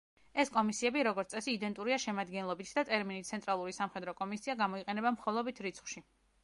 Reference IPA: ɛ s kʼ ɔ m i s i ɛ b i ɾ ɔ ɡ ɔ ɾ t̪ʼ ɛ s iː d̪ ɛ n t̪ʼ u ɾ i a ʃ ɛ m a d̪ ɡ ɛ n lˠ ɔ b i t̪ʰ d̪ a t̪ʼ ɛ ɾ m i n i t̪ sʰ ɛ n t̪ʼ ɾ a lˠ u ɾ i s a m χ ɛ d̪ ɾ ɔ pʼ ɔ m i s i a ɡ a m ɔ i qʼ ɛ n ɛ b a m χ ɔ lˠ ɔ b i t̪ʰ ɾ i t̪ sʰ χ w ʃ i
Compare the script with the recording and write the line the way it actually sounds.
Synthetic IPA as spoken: ɛ s kʼ ɔ m i s i ɛ b i ɾ ɔ ɡ ɔ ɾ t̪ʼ ɛ s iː d̪ ɛ n t̪ʼ u ɾ i a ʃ ɛ m a d̪ ɡ ɛ n lˠ ɔ b i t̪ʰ d̪ a t̪ʼ ɛ ɾ m i n i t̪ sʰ ɛ n t̪ʼ ɾ a lˠ u ɾ i s a m χ ɛ d̪ ɾ ɔ kʼ ɔ m i s i a ɡ a m ɔ i qʼ ɛ n ɛ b a m χ ɔ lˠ ɔ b i t̪ʰ ɾ i t̪ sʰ χ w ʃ i